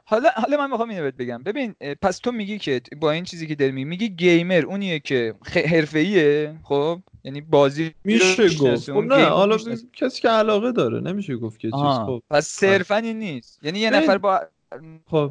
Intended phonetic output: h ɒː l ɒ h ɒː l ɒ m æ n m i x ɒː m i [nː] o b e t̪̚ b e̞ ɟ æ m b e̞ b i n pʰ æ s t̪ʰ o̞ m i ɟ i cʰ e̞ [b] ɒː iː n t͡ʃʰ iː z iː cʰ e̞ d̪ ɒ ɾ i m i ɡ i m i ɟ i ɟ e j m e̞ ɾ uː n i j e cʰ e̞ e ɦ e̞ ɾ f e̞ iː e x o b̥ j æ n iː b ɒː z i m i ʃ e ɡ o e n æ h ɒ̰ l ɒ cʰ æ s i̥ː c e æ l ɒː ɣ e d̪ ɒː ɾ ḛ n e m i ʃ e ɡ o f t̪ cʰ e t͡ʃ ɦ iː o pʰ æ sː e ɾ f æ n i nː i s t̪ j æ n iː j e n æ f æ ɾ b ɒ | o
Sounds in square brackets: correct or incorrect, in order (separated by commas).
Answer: incorrect, correct